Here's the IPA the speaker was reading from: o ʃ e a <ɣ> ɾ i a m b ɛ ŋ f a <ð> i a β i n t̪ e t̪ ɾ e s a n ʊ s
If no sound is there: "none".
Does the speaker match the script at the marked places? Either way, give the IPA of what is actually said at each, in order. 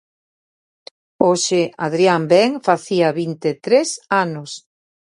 ð, θ

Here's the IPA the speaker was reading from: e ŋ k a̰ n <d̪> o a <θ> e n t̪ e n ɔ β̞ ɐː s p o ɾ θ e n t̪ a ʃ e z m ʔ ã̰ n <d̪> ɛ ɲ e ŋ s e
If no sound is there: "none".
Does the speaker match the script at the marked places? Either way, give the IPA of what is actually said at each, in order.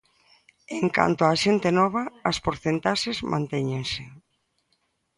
t̪, ʃ, t̪

